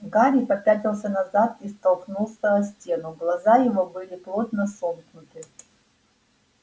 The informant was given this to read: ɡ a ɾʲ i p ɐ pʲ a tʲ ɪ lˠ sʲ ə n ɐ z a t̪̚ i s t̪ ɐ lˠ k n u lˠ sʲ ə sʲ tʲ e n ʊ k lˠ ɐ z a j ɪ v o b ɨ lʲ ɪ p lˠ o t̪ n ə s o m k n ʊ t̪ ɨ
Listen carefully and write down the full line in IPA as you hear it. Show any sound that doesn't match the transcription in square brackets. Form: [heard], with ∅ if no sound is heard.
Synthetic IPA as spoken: ɡ a ɾʲ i p ɐ pʲ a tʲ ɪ lˠ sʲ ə n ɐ z a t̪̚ i s t̪ ɐ lˠ k n u lˠ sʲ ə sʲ tʲ e n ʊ [ɡ] lˠ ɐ z a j ɪ v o b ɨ lʲ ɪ p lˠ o t̪ n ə s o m k n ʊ t̪ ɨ